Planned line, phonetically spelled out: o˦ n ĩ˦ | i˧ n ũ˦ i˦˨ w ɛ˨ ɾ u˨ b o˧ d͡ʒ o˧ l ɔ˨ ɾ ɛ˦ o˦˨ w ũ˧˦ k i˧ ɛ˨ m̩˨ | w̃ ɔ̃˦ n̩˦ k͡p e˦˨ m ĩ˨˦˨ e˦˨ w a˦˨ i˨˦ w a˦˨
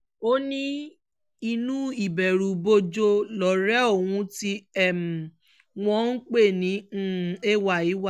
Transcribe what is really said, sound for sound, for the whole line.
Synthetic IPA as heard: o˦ n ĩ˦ | i˧ n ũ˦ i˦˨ b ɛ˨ ɾ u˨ b o˧ d͡ʒ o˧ l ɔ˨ ɾ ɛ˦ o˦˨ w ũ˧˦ t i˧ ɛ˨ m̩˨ | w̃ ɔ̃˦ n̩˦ k͡p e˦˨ n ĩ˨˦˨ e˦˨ w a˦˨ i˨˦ w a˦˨